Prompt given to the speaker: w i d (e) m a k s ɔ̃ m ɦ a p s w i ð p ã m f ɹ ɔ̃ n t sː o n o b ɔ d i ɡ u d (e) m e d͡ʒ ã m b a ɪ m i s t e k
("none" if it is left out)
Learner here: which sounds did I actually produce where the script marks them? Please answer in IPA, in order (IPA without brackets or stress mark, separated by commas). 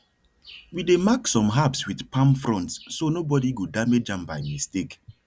e, a